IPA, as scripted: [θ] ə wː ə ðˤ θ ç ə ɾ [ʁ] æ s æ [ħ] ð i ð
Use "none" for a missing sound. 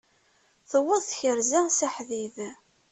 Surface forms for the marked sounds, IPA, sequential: θ, z, ħ

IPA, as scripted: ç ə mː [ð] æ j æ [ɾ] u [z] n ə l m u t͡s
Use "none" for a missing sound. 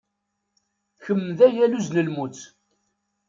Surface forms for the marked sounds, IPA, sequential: ð, l, z

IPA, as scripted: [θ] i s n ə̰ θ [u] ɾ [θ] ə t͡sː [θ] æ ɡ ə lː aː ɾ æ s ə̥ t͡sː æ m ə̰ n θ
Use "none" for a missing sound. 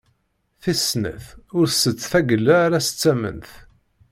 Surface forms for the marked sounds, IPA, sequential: θ, ʊ, s, θ

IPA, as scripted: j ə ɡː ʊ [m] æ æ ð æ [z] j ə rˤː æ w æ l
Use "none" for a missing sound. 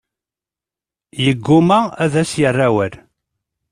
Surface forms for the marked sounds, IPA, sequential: m, s

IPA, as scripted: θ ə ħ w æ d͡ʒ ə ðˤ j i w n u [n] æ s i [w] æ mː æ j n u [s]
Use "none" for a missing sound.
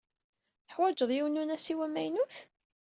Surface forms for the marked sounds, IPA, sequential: n, w, θ

